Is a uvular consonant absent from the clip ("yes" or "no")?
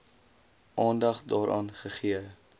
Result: no